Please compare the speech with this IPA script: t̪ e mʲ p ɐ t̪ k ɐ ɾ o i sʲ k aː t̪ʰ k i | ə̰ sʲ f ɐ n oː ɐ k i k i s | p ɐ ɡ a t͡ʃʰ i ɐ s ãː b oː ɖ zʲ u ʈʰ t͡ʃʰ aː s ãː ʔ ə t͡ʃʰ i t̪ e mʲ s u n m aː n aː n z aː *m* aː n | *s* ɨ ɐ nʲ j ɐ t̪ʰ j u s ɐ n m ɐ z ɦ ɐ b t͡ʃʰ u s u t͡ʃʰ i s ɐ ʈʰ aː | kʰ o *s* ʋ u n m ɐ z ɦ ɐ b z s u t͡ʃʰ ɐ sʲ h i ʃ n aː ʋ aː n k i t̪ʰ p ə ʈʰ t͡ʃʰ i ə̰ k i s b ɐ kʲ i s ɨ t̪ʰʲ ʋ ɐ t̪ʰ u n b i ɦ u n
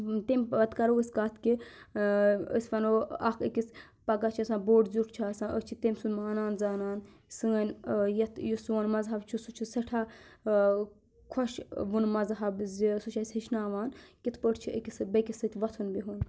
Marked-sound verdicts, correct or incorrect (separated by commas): incorrect, correct, incorrect